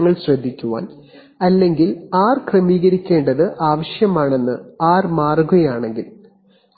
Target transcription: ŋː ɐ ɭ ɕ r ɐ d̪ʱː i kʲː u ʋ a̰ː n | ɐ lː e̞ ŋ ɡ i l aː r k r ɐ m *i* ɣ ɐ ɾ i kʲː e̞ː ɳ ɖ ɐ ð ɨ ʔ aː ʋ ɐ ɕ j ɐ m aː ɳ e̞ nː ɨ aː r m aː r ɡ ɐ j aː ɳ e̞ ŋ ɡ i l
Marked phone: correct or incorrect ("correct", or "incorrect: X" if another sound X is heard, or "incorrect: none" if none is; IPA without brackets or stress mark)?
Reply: incorrect: iː